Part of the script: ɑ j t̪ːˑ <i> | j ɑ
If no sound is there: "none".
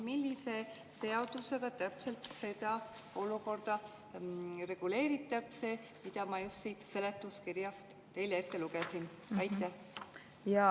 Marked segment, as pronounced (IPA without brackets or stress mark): æ